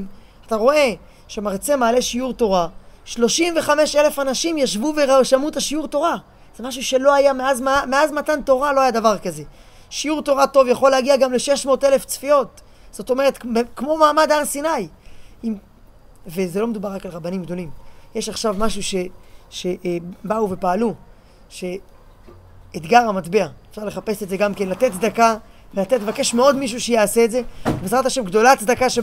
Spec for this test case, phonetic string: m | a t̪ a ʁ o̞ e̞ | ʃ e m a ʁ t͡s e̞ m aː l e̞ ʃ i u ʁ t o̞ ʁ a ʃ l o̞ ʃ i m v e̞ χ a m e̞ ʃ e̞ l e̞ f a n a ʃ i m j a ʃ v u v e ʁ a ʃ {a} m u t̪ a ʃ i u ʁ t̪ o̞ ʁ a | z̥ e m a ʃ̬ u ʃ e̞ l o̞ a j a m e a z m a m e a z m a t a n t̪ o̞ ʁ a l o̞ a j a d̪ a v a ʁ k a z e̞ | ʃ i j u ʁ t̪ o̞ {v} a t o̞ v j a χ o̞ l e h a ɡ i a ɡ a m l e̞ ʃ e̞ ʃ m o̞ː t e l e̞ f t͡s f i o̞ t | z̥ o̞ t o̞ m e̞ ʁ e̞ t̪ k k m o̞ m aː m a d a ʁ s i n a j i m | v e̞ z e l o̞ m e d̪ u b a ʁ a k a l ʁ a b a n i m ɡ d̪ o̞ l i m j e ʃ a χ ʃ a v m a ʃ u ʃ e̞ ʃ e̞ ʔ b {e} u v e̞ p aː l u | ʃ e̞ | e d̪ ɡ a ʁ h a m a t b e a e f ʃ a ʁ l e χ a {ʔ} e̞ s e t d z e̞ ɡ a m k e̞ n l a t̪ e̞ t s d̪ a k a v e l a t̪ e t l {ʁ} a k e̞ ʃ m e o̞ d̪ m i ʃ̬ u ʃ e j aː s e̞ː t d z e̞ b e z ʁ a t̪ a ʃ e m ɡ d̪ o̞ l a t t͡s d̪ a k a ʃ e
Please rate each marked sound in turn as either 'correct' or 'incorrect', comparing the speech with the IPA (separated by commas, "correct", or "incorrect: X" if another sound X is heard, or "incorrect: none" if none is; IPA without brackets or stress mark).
correct, incorrect: ʁ, incorrect: a, incorrect: p, incorrect: v